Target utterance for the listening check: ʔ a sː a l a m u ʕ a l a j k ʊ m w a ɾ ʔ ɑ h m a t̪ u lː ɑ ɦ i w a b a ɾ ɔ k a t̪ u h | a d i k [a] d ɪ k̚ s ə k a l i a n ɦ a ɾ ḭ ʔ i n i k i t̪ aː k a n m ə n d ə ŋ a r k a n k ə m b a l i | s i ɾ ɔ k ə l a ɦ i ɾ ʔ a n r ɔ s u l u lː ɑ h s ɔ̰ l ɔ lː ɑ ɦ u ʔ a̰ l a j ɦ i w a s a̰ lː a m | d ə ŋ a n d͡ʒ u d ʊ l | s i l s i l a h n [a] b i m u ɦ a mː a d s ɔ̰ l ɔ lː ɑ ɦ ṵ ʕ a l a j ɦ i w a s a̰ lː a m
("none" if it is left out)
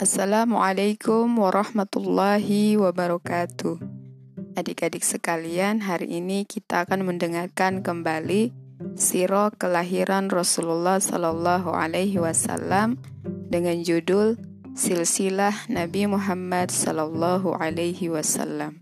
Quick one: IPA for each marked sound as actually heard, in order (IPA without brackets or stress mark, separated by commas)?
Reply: a, a